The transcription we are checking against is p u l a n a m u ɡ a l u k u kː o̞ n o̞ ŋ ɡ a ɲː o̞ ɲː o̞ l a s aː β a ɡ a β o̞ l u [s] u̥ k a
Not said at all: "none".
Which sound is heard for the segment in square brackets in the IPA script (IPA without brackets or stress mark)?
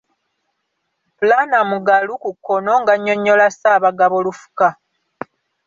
f